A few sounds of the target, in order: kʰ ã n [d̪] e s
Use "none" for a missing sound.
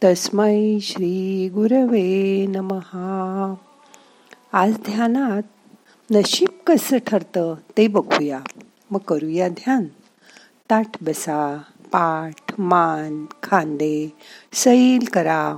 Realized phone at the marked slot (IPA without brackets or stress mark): d̪